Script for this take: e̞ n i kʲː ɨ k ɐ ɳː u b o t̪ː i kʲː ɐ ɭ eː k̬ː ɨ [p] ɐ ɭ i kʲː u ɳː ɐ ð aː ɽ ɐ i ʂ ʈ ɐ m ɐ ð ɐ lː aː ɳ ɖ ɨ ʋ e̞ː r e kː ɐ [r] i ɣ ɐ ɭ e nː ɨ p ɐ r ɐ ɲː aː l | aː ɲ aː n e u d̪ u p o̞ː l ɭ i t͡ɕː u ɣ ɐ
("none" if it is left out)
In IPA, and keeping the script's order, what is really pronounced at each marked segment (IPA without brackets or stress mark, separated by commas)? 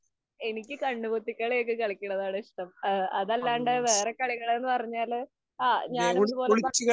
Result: k, ɭ